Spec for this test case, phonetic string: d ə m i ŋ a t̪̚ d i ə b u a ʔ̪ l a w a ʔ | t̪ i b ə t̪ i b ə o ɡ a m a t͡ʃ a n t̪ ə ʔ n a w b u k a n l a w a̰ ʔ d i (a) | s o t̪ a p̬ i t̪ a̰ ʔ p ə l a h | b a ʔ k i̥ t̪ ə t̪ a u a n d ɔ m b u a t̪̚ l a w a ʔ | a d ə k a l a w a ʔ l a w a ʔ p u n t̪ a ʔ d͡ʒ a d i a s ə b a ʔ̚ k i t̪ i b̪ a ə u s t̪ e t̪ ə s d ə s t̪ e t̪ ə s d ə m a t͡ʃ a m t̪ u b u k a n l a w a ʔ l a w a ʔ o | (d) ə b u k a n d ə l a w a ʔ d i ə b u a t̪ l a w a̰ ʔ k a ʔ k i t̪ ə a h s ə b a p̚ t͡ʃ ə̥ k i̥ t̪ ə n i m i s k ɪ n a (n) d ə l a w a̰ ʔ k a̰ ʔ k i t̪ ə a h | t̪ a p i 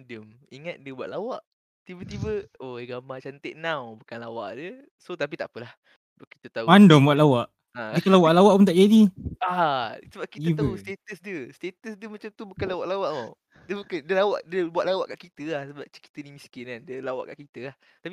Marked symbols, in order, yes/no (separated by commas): no, yes, yes